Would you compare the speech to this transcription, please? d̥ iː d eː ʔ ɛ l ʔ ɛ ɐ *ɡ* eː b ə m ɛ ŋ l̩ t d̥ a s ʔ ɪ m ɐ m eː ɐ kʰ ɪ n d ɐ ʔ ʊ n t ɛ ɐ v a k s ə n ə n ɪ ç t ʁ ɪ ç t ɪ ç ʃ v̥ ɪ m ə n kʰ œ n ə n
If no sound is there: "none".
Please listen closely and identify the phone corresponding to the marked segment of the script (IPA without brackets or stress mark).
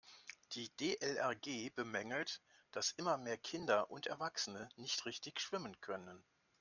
ɡ